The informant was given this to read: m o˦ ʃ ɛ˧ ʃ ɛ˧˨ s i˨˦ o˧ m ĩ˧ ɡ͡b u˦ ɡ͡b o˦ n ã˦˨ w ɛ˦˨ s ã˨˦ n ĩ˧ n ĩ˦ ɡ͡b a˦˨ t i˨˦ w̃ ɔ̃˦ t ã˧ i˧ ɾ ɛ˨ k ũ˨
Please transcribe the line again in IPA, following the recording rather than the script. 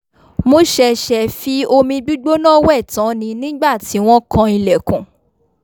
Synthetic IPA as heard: m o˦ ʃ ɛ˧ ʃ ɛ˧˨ f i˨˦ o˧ m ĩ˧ ɡ͡b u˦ ɡ͡b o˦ n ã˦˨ w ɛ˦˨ t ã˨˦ n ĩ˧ n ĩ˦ ɡ͡b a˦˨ t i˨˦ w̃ ɔ̃˦ k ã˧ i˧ l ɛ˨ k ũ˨